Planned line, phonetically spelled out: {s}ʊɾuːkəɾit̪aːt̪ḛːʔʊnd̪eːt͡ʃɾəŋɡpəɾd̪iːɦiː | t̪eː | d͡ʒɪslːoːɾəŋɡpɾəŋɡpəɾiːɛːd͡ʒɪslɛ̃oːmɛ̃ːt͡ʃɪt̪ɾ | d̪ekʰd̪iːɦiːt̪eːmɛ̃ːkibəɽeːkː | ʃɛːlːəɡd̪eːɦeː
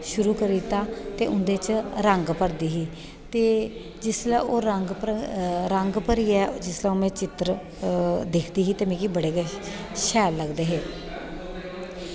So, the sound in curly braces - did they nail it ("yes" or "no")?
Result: no